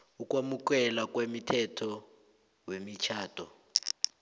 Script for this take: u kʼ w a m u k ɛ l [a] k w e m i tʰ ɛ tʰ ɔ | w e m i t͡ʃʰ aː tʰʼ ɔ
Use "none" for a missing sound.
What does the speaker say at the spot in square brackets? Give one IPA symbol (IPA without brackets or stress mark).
a